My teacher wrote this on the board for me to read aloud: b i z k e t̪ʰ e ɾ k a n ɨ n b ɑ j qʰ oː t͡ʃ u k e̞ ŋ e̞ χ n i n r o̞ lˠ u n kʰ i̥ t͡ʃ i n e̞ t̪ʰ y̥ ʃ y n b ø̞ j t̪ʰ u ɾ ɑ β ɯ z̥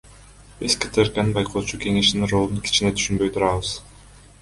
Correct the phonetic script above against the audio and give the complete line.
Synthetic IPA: b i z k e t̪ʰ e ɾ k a n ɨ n b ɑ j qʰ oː t͡ʃ u k e̞ ŋ e̞ ʃ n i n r o̞ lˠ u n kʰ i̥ t͡ʃ i n e̞ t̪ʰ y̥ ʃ y n b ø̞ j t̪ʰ u ɾ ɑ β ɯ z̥